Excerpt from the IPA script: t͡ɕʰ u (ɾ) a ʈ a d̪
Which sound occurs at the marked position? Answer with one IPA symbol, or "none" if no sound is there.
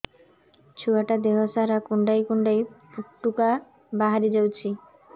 none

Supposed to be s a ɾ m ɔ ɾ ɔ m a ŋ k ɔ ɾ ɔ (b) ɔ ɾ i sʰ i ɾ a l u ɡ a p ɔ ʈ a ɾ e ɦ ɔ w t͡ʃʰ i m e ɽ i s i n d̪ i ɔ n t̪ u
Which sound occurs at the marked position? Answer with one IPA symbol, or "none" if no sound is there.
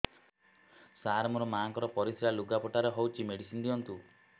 p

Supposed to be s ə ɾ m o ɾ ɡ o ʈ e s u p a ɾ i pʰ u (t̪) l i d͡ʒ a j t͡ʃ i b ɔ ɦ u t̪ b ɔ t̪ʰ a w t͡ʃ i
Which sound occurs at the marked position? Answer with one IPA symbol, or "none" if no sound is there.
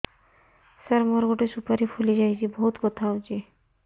none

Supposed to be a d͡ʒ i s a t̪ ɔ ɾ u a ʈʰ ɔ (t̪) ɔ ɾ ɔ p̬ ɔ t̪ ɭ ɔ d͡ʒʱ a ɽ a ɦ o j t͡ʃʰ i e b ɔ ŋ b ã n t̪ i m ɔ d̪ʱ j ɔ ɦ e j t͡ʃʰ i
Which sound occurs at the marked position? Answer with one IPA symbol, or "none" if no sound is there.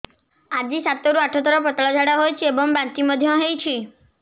t̪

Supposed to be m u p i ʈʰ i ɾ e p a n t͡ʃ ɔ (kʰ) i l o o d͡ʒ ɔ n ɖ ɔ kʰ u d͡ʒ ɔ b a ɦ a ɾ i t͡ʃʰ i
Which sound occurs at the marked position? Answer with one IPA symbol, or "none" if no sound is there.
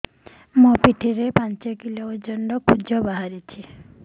k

